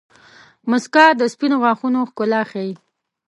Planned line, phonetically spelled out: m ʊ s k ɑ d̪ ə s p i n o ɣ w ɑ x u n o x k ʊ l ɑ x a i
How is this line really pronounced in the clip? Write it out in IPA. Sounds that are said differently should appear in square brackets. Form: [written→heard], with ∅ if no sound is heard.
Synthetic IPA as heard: m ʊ s k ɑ d̪ ə s p i n o ɣ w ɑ x u n o x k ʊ l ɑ x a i